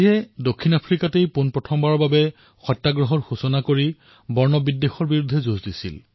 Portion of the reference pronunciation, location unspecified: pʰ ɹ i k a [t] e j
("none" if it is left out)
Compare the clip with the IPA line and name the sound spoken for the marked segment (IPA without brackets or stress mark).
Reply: t